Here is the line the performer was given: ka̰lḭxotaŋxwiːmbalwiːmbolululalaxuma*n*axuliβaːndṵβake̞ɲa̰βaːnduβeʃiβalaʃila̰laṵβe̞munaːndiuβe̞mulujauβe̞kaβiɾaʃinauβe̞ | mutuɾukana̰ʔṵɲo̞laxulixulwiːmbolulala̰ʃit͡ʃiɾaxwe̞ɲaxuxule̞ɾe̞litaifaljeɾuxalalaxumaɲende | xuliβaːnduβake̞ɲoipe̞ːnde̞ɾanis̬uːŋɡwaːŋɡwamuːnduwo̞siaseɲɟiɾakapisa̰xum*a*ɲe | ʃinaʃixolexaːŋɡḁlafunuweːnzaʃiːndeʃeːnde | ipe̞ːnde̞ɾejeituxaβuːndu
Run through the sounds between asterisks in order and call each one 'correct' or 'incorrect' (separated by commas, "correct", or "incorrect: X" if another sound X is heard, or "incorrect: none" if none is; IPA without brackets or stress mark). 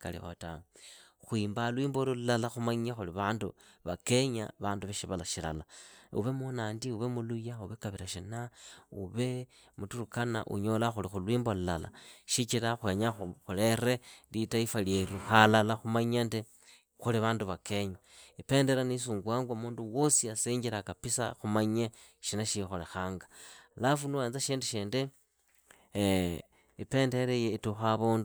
incorrect: ɲ, correct